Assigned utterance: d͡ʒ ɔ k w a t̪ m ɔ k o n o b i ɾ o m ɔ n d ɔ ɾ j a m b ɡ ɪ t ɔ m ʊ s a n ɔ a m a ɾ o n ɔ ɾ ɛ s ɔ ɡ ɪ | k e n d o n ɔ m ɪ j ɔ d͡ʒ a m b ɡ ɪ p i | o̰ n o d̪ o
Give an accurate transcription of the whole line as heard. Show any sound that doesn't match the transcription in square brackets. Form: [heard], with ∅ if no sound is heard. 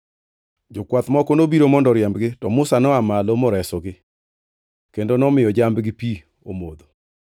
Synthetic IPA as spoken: d͡ʒ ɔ k w a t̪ m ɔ k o n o b i ɾ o m ɔ n d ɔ ɾ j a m b ɡ ɪ t ɔ m ʊ s a n ɔ a m a [l] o [m] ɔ ɾ ɛ s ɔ ɡ ɪ | k e n d o n ɔ m ɪ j ɔ d͡ʒ a m b ɡ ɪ p i | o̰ [m] o d̪ o